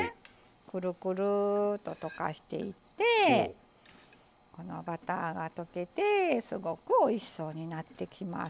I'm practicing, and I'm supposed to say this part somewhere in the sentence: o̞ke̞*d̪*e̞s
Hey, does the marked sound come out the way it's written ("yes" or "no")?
no